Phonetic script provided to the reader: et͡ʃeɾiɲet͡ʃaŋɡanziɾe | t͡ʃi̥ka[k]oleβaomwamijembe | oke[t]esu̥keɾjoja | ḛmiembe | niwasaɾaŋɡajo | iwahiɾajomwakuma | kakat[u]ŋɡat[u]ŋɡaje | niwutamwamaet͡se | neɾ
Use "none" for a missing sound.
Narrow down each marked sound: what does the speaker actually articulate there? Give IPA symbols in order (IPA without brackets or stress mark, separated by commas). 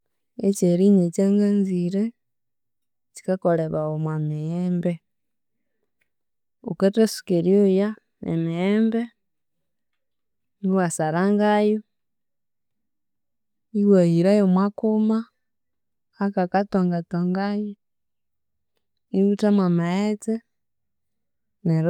k, t, o, o